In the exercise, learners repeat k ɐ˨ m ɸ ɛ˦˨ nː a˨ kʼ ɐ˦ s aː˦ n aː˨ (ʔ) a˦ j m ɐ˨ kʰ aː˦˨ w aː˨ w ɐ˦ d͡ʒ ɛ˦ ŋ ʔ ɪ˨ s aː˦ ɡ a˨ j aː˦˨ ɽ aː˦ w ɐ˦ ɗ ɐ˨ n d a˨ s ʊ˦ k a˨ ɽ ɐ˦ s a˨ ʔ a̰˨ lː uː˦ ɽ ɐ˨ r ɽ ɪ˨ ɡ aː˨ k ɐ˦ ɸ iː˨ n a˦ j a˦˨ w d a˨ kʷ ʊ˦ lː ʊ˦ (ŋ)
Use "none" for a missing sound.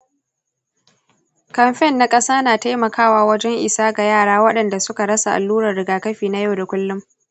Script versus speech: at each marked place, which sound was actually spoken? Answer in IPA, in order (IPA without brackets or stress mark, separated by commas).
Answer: t, m